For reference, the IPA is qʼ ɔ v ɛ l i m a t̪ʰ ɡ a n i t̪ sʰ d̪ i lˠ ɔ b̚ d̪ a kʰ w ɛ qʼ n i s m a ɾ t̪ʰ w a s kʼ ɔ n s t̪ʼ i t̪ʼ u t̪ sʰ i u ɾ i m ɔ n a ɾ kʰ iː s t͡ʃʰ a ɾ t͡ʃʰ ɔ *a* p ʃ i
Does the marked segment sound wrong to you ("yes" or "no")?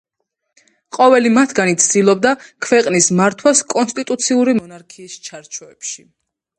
yes